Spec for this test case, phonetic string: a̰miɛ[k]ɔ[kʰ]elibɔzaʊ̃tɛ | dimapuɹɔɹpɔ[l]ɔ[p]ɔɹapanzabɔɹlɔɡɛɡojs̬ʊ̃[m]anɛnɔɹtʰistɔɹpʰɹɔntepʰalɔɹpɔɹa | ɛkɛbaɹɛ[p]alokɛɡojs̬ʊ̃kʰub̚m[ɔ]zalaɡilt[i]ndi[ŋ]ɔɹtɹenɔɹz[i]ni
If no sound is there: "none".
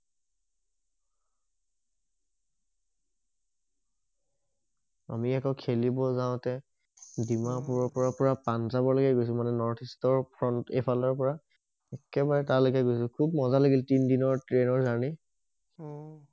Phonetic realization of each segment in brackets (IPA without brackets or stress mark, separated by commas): k, kʰ, ɹ, p, m, t, ɔ, i, n, a